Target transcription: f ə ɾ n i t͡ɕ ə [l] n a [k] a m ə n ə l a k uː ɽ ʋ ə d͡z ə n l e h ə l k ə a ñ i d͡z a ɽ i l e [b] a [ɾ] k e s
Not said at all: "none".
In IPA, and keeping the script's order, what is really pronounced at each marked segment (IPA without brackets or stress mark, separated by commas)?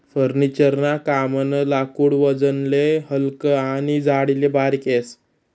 ɾ, k, b, ɾ